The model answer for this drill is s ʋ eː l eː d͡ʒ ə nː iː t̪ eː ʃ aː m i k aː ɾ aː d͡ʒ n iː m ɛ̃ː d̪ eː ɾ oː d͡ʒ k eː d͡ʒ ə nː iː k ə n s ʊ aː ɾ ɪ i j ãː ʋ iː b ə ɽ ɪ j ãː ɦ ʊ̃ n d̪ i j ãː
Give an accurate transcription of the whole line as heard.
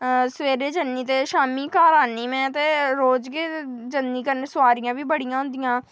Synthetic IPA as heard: s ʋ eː ɾ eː d͡ʒ ə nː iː t̪ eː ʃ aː m iː k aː ɾ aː n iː m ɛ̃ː t̪ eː ɾ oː d͡ʒ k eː d͡ʒ ə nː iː k ə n s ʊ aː ɾ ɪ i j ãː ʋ iː b ə ɽ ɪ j ãː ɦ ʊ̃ n d̪ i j ãː